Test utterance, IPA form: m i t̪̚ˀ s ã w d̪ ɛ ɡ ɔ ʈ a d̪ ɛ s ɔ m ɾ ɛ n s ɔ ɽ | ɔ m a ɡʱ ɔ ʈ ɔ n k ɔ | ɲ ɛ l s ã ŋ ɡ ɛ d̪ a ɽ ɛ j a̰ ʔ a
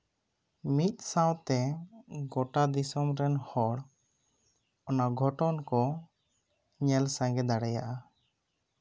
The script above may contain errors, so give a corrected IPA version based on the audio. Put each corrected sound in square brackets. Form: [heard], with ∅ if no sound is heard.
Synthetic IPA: m i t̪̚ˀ s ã w [t̪] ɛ ɡ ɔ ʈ a d̪ [i] s ɔ m ɾ ɛ n [h] ɔ ɽ | ɔ [n] a ɡʱ ɔ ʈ ɔ n k ɔ | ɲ ɛ l s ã ŋ ɡ ɛ d̪ a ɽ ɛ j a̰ ʔ a